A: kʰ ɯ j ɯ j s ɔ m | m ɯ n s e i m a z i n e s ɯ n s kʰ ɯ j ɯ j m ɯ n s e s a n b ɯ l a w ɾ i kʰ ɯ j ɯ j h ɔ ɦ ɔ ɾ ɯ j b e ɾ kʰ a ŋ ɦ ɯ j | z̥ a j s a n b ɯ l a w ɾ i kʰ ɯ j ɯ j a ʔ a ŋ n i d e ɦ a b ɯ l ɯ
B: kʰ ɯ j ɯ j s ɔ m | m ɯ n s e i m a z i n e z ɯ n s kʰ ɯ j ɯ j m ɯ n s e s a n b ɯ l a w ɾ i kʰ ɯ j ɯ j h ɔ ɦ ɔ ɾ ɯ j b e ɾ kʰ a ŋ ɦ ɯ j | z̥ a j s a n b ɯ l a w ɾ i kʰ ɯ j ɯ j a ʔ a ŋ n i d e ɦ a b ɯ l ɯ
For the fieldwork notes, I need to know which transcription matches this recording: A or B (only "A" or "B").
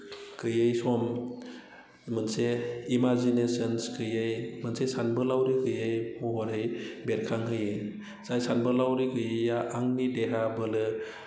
A